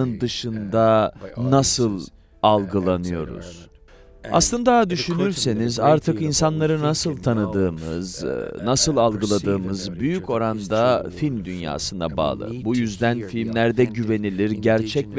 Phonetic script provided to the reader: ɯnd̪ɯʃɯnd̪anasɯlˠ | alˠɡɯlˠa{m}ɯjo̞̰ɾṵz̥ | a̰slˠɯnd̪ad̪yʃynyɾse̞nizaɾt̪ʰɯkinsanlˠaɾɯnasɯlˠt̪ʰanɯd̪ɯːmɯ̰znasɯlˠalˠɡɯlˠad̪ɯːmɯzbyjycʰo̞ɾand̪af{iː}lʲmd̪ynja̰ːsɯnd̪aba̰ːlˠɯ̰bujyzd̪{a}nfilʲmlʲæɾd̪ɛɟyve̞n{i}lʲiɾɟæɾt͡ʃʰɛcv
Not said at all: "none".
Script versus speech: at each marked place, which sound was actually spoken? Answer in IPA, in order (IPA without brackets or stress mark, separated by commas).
n, i, æ, i